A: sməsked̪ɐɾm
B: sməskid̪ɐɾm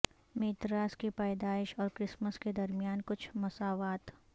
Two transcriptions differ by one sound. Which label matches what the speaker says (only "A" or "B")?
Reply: A